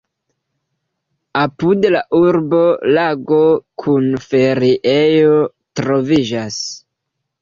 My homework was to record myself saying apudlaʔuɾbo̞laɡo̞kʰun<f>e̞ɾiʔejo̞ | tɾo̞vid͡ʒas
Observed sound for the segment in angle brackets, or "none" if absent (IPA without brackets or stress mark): f